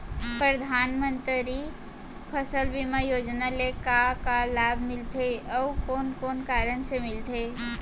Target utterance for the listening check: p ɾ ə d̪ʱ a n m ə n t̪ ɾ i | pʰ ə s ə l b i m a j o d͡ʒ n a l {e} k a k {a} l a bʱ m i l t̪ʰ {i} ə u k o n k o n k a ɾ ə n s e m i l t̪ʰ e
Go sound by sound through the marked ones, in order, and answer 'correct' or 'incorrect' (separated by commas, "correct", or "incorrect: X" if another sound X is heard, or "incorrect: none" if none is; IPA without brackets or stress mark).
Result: correct, correct, incorrect: e